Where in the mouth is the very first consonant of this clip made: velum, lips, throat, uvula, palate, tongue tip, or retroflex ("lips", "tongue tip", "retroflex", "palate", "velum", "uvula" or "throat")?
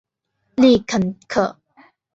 tongue tip